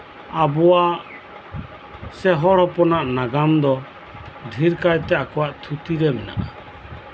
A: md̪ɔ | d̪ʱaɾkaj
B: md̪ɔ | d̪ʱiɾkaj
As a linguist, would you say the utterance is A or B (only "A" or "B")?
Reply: B